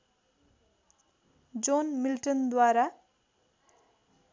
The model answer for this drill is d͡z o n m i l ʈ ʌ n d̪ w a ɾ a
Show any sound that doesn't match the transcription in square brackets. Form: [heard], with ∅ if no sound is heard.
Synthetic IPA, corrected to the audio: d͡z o n m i l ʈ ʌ n d̪ w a ɾ a